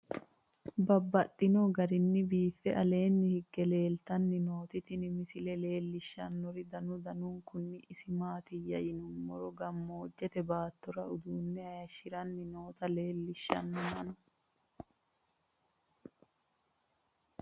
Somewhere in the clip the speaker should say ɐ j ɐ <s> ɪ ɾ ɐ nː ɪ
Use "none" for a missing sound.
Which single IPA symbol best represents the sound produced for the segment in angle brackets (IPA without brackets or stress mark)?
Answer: ʃ